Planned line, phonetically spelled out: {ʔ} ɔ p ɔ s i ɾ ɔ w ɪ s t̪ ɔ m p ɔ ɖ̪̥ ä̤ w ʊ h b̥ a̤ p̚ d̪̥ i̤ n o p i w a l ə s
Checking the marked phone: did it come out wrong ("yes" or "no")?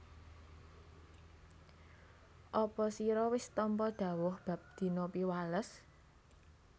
no